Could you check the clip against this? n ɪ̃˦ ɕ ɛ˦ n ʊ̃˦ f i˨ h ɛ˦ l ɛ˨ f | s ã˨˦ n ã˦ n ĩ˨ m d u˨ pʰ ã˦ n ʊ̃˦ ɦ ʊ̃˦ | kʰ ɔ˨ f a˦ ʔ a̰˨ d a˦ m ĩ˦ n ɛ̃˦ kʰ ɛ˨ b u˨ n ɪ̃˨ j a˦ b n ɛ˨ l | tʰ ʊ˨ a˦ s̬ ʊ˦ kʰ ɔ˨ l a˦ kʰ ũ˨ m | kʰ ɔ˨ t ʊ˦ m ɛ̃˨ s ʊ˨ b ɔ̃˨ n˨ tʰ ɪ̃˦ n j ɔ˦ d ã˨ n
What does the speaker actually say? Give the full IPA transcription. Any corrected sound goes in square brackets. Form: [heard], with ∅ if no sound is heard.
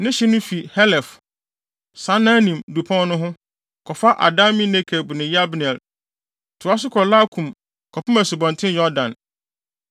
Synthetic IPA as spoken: n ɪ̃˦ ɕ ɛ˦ n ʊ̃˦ f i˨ h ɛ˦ l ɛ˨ f | s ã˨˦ n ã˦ n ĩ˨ m d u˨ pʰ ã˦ n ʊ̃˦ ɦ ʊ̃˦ | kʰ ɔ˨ f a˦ ʔ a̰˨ d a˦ m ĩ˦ n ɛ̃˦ kʰ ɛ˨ b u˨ n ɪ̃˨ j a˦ b n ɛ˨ l | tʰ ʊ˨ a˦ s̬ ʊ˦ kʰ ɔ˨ l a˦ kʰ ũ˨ m | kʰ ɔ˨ [p] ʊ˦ m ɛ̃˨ s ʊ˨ b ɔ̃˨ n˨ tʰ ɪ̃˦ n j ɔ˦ d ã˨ n